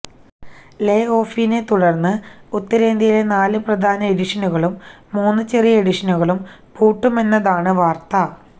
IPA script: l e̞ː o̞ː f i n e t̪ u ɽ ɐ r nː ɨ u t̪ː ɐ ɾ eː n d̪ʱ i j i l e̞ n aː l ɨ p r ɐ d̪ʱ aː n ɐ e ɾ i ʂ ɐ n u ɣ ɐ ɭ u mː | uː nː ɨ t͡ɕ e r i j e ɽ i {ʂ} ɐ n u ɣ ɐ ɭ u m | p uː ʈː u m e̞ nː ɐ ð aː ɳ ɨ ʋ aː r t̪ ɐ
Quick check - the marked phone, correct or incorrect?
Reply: correct